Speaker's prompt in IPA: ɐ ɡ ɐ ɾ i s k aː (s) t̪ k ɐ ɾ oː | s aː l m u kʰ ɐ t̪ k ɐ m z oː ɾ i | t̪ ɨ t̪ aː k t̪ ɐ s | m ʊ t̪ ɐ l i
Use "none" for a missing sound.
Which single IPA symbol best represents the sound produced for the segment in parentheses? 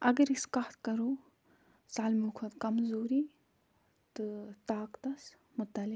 none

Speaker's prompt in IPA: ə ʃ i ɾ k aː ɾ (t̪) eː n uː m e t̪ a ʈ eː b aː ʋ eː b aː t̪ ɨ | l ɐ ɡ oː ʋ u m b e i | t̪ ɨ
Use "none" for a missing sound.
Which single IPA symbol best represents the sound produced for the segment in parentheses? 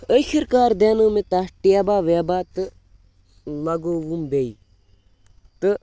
d̪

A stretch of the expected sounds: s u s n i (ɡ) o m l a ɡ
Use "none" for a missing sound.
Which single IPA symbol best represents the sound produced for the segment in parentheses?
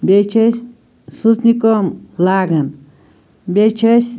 k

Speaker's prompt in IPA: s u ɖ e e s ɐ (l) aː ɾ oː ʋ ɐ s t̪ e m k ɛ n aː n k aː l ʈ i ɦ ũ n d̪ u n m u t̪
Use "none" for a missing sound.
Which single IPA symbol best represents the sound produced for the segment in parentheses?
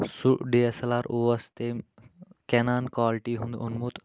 l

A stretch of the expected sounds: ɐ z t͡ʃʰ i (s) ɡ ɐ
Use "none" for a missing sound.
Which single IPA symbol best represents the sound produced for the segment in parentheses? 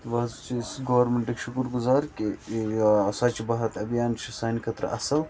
s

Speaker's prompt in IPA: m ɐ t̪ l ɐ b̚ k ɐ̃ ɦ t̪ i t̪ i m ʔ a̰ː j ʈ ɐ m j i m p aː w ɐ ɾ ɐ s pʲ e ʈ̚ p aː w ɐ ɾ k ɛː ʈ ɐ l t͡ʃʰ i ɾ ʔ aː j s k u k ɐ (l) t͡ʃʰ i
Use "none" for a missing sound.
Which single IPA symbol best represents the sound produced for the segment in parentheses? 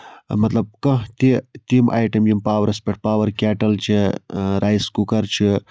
ɾ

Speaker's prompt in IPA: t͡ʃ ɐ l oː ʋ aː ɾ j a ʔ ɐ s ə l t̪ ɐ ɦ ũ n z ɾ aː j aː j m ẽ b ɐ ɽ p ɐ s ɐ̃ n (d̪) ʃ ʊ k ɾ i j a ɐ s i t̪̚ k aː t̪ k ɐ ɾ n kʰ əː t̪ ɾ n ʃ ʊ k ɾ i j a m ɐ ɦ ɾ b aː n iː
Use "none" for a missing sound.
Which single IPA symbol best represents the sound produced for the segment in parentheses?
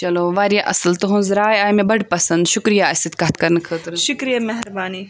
d̪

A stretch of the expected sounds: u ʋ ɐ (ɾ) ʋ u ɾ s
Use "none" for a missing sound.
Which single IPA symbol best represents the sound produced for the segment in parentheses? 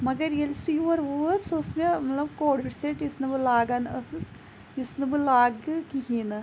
ɾ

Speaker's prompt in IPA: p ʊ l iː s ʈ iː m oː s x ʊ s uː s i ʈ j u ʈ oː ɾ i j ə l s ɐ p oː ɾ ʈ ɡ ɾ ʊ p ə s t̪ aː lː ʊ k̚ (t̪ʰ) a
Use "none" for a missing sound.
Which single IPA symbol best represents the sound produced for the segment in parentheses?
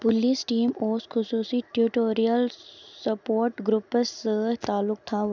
t̪ʰ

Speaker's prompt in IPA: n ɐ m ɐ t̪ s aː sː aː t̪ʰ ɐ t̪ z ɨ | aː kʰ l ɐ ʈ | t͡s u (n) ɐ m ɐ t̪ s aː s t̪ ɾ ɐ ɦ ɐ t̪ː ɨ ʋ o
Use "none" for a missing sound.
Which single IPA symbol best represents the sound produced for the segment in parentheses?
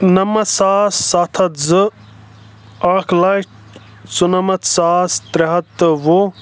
n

